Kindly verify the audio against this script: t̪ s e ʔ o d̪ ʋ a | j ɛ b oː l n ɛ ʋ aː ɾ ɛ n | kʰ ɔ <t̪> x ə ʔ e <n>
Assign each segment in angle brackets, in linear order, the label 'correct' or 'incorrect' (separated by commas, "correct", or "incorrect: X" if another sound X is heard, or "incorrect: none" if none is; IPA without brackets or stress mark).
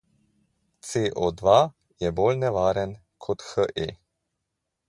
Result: correct, incorrect: none